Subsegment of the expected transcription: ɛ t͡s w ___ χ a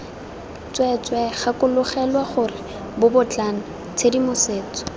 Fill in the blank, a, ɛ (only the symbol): ɛ